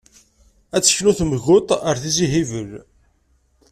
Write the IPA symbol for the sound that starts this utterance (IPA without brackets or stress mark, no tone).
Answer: æ